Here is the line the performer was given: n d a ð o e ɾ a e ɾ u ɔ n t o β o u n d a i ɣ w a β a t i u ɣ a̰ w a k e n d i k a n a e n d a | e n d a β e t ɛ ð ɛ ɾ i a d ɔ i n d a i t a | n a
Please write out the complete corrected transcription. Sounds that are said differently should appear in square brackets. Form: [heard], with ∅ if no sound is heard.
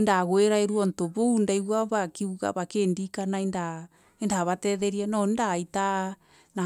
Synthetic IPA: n d a [ɣ] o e ɾ a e ɾ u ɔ n t o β o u n d a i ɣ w a β a [k] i u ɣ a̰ [β] a k e n d i k a n a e n d a | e n d a β [a] t ɛ ð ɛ ɾ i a [n] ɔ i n d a i t a | n a